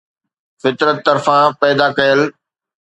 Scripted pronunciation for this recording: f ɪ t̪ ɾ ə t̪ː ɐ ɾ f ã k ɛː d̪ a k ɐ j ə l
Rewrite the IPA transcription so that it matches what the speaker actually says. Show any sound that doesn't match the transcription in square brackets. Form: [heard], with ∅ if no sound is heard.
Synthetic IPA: f ɪ t̪ ɾ ə t̪ː ɐ ɾ f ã [p] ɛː d̪ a k ɐ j ə l